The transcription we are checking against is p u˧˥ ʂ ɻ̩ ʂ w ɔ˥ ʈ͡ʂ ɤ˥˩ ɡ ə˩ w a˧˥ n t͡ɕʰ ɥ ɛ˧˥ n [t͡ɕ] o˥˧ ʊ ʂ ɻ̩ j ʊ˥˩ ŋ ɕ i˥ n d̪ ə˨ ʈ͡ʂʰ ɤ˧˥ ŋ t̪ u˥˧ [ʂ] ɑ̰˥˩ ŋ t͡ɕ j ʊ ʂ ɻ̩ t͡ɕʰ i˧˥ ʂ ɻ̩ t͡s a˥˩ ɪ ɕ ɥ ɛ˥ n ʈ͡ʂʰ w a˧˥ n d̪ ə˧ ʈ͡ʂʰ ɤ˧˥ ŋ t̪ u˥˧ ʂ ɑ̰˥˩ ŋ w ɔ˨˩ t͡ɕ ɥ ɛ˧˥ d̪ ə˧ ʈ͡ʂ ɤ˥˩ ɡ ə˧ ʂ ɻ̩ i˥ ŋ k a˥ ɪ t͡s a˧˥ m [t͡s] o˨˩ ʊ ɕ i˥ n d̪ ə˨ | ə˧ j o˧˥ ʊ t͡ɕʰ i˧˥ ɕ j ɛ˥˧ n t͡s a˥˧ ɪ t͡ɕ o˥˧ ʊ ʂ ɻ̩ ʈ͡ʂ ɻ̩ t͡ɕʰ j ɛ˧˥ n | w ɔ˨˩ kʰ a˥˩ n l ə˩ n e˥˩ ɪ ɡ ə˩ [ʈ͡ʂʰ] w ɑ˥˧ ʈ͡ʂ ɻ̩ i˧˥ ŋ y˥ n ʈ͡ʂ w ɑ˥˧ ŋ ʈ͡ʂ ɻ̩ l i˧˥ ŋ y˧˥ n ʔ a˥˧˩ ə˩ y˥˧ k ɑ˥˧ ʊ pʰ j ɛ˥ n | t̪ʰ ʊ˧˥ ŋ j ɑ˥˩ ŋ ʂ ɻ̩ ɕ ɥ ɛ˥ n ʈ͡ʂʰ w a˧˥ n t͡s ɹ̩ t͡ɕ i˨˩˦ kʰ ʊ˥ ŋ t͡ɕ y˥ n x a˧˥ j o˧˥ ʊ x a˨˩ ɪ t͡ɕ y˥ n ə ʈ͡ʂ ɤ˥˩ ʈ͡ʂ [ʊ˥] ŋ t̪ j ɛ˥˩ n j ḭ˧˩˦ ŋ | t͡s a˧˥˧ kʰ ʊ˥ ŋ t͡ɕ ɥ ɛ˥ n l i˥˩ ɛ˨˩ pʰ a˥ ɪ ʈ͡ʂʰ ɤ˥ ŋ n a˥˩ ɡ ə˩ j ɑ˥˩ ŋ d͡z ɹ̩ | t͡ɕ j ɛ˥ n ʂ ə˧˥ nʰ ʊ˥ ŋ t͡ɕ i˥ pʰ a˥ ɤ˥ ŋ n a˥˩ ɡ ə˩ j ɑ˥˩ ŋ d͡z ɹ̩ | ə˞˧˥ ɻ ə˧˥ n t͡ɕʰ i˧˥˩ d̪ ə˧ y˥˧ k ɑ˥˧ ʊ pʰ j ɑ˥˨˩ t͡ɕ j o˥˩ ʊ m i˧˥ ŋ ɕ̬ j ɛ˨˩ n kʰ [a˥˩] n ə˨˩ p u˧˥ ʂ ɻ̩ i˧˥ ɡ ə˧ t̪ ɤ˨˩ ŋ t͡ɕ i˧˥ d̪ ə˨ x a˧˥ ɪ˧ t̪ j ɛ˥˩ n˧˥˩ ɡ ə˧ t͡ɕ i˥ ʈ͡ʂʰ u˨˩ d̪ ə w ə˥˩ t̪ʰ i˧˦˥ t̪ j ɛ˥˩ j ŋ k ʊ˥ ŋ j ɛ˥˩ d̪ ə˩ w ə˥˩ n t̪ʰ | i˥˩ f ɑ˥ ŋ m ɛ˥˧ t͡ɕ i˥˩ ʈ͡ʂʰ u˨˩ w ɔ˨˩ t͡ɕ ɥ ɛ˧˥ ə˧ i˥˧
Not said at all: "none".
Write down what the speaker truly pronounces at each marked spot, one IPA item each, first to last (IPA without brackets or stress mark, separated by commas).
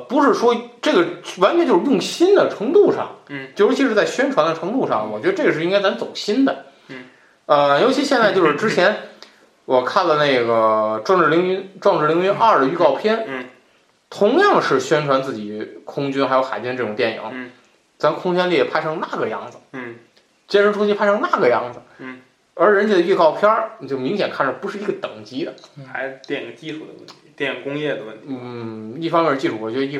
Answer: t͡ɕ, ʂ, t͡s, ʈ͡ʂ, ʊ˨˩, a˥˩